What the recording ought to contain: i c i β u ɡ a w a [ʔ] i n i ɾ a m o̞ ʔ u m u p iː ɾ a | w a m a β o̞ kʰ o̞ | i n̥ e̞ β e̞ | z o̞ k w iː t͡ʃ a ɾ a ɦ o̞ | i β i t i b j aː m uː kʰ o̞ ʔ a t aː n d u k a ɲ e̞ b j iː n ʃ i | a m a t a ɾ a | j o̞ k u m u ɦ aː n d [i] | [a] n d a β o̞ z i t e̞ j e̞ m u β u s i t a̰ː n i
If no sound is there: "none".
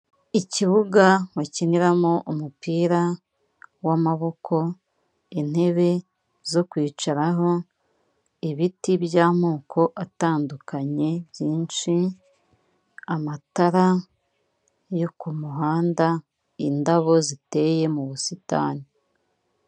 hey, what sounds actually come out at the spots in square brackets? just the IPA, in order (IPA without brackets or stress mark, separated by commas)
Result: c, a, i